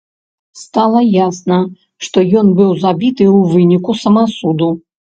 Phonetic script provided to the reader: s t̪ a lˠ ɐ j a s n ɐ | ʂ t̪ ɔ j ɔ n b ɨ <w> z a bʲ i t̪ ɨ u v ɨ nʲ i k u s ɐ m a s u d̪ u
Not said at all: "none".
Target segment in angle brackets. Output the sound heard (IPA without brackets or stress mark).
w